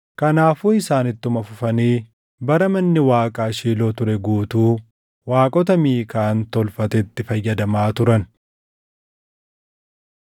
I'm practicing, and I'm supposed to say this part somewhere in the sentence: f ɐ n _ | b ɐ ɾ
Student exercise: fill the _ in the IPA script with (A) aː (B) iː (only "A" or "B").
B